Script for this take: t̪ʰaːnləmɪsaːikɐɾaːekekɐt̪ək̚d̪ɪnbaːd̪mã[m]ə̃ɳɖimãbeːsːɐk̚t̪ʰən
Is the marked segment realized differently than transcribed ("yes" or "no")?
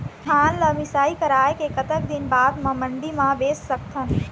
no